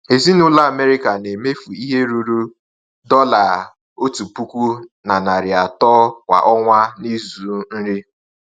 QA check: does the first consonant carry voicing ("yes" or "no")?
yes